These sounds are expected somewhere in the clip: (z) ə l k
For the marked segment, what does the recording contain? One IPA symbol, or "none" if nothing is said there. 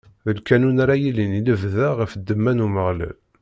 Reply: ð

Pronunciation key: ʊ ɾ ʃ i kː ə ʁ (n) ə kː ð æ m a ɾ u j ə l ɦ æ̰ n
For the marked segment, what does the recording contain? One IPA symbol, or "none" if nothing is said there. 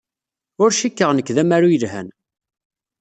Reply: n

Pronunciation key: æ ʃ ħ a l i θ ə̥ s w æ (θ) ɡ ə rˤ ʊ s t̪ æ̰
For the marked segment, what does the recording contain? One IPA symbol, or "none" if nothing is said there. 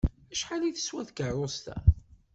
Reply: θ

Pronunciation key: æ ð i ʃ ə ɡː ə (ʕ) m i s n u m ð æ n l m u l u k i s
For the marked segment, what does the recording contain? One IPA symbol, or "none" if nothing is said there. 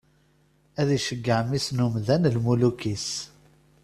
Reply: ʕ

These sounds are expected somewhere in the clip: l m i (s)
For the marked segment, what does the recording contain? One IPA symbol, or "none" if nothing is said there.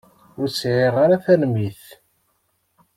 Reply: θ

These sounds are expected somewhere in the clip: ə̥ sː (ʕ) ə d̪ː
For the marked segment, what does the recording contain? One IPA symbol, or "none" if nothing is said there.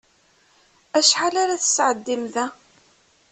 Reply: ʕ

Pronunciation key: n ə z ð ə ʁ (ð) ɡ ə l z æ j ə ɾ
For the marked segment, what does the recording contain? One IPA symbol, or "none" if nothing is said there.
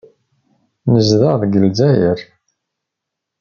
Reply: ð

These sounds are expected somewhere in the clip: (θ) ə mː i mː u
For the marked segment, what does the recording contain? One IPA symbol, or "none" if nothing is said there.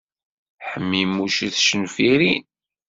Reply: ħ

